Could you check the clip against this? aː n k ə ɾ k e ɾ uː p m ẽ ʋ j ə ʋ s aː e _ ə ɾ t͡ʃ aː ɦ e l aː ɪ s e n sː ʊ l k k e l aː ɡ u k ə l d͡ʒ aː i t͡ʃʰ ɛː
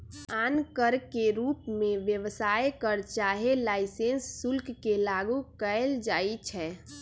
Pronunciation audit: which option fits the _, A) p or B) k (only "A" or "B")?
B